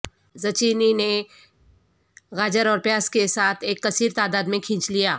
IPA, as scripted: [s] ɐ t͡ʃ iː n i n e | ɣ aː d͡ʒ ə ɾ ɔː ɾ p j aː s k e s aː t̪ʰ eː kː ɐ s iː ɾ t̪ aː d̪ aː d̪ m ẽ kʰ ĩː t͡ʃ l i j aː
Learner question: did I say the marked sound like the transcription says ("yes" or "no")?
no